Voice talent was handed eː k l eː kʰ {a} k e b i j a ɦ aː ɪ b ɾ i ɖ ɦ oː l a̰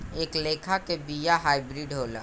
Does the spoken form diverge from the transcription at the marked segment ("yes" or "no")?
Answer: no